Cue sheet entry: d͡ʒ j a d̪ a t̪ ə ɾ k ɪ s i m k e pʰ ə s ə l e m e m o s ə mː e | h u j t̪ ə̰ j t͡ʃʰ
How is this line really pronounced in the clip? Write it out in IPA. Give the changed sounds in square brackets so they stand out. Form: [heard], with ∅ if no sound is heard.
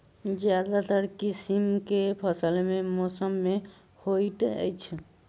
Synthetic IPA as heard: d͡ʒ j a d̪ a t̪ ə ɾ k [i] s i m k e pʰ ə s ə l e m e m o s ə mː e | h [o] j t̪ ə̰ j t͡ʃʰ